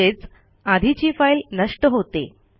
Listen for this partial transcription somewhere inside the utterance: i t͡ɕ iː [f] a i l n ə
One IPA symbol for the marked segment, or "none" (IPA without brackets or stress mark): f